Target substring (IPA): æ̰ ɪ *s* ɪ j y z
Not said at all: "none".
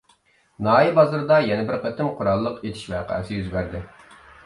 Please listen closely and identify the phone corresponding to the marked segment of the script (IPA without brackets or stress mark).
s